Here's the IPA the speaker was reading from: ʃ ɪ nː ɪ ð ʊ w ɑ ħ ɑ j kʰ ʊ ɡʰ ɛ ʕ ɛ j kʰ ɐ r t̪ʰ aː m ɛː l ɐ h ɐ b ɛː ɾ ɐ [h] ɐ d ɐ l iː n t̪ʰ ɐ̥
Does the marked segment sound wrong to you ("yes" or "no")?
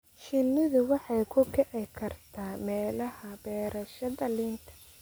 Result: yes